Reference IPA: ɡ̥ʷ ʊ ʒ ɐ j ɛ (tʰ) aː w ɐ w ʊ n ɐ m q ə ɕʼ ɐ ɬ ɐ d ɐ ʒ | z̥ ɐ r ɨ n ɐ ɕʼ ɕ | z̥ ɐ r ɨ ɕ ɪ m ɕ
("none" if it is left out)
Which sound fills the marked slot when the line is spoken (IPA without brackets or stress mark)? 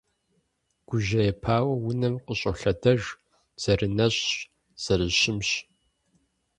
pʰ